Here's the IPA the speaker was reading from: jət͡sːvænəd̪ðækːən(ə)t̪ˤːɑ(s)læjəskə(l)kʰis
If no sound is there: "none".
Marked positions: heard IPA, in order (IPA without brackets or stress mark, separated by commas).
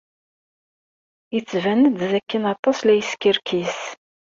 ɑ, s, ɾ